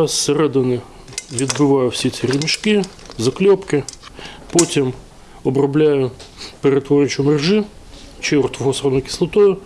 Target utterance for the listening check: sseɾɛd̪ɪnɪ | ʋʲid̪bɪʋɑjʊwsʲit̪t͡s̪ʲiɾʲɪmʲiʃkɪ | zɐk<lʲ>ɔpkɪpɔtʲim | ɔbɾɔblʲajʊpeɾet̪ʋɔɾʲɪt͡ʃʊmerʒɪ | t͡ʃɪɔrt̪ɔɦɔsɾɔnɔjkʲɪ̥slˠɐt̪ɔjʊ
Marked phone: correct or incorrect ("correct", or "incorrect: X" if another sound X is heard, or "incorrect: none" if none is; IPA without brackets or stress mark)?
correct